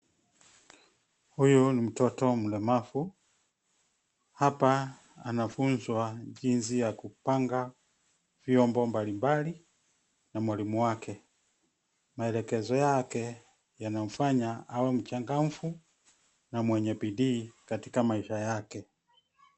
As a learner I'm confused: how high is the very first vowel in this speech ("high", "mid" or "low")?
high